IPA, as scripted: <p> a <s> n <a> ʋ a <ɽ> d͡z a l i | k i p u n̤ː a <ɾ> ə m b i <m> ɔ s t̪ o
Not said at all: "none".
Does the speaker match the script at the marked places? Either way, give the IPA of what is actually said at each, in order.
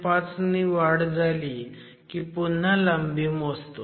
p, t͡s, i, ɽ, l, m

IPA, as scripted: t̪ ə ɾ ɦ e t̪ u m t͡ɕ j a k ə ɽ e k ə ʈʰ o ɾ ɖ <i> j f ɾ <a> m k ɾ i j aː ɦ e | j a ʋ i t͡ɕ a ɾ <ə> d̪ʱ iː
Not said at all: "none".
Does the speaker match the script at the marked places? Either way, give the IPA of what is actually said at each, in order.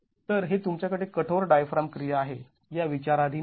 a, a, a

